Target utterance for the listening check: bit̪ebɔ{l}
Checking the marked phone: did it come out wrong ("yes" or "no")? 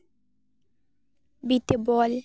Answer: no